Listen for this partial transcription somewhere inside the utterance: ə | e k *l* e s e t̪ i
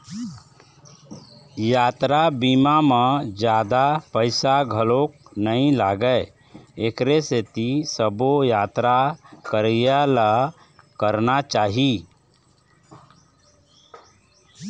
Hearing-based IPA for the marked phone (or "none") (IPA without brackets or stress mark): ɾ